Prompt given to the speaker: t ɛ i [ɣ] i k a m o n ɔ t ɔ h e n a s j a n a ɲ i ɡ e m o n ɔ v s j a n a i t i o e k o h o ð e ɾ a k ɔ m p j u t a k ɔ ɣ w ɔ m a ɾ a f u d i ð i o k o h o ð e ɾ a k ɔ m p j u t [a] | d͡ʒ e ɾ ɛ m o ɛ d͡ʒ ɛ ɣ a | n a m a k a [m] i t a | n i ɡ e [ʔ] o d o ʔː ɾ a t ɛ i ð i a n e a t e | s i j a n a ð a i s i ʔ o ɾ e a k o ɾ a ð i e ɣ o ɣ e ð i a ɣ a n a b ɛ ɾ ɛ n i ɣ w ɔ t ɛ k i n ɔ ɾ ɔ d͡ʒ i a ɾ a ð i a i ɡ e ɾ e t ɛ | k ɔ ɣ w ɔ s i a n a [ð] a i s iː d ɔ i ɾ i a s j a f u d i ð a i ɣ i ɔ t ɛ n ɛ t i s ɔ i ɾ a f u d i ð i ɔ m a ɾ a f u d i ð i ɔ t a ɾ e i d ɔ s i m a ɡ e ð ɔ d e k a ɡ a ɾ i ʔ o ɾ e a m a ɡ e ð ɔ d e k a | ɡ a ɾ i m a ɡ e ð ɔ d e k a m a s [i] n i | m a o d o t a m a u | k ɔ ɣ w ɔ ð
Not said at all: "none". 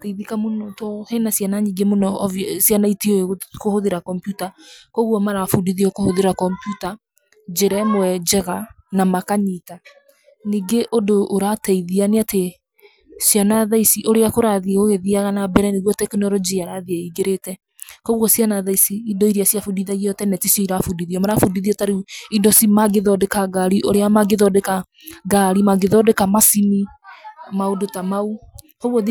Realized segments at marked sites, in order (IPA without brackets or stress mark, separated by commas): ð, a, ɲ, ʔ, ð, i